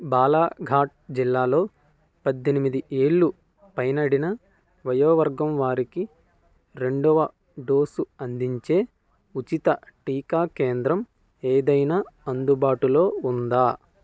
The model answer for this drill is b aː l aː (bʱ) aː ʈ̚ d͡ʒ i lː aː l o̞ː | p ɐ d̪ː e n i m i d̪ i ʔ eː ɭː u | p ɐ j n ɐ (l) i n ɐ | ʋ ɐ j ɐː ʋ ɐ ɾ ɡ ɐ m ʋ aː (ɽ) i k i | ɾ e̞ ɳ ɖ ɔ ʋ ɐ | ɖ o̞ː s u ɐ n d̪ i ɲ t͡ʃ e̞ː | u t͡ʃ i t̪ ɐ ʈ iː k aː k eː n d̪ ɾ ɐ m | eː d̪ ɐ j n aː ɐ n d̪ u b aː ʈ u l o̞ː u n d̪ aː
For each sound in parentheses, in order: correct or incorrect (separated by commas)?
incorrect, incorrect, incorrect